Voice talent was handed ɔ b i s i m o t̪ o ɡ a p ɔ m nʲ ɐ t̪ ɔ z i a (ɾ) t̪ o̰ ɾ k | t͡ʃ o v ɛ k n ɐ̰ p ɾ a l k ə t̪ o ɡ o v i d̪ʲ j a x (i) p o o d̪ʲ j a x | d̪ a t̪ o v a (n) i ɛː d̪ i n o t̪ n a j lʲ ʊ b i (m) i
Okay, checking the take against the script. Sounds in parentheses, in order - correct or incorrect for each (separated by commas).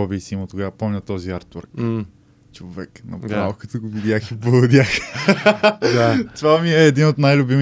correct, correct, incorrect, correct